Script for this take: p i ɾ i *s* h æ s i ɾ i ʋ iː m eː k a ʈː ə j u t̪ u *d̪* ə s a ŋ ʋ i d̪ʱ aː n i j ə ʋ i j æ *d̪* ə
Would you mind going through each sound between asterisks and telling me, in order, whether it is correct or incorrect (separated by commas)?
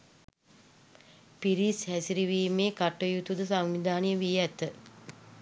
correct, correct, incorrect